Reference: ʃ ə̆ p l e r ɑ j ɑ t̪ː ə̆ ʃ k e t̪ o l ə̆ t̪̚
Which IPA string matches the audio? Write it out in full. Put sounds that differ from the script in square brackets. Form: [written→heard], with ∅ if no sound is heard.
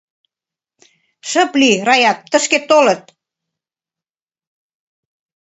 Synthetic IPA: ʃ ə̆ p l [e→i] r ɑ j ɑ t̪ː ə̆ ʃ k e t̪ o l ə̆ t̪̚